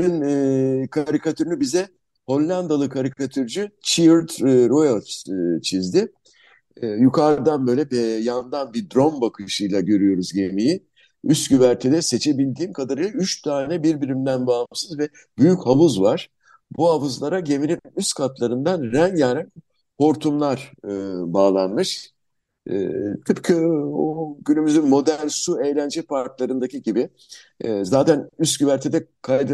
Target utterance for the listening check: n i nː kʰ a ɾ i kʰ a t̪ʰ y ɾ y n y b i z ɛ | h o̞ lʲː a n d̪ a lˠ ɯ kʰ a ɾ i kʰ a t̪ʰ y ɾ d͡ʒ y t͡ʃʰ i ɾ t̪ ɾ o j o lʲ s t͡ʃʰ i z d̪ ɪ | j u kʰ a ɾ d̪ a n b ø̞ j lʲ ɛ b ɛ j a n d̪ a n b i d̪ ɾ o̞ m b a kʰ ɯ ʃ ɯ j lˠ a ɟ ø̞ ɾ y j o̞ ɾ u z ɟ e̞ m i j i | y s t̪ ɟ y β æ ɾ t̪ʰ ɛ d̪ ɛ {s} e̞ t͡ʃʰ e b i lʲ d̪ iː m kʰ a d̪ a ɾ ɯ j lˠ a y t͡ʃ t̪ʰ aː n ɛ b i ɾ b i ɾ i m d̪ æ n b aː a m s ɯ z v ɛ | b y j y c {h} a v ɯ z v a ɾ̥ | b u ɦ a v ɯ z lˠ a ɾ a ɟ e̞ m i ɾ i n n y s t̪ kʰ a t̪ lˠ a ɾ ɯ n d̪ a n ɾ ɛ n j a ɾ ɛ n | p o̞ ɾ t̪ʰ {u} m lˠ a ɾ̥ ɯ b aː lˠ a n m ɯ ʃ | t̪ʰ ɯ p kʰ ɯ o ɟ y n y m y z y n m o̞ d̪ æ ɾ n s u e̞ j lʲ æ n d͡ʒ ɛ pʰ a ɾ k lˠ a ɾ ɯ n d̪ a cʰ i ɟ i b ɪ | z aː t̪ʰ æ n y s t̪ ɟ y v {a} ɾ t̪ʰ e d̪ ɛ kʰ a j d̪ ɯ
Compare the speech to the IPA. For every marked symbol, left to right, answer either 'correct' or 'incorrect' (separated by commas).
correct, correct, correct, incorrect